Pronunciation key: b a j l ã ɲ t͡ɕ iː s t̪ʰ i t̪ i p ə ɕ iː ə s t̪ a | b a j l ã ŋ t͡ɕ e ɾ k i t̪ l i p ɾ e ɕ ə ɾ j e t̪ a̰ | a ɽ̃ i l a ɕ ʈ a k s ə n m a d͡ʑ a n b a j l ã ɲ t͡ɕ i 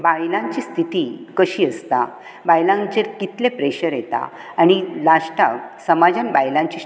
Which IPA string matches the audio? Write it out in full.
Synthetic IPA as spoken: b a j l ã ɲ t͡ɕ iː s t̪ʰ i t̪ i k ə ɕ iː ə s t̪ a | b a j l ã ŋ t͡ɕ e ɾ k i t̪ l e p ɾ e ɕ ə ɾ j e t̪ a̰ | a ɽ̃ i l a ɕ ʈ a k s ə m a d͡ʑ a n b a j l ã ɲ t͡ɕ i